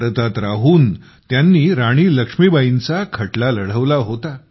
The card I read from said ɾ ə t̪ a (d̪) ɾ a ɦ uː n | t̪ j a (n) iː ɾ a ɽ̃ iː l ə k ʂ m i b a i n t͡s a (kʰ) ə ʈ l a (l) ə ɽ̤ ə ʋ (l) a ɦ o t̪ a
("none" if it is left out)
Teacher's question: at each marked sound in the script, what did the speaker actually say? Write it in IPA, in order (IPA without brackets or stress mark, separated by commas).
t̪, nː, kʰ, l, l